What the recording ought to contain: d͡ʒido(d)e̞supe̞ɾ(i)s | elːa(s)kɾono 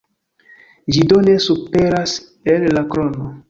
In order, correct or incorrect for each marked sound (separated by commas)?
incorrect, incorrect, incorrect